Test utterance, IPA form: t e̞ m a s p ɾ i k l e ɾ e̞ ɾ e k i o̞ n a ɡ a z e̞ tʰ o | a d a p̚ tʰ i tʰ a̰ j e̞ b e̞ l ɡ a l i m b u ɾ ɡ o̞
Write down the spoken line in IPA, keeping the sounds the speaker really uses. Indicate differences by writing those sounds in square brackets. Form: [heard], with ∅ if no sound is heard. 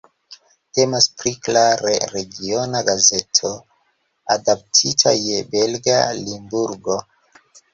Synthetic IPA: t e̞ m a s p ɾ i k l [a] ɾ e̞ ɾ e [ɡ] i o̞ n a ɡ a z e̞ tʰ o | a d a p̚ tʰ i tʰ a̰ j e̞ b e̞ l ɡ a l i m b u ɾ ɡ o̞